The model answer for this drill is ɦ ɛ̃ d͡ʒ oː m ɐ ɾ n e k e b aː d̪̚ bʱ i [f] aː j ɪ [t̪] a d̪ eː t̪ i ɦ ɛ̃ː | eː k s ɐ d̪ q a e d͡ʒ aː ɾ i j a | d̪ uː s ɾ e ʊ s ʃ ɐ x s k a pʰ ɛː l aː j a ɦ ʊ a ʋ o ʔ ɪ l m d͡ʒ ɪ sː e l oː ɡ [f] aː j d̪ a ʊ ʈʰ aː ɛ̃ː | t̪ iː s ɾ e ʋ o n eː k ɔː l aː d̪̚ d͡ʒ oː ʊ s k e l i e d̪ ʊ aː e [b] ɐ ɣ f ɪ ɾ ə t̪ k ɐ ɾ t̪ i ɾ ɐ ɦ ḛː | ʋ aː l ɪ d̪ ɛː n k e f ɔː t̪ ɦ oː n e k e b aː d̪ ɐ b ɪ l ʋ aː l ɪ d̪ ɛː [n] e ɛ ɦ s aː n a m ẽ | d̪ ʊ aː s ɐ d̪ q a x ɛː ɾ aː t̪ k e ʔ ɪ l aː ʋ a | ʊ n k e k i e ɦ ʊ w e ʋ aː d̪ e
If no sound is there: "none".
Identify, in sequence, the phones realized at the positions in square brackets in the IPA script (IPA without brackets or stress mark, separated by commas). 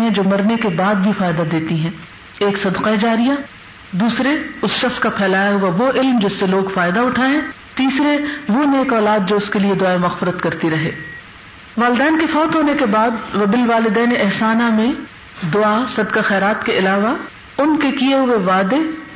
f, d̪, f, m, n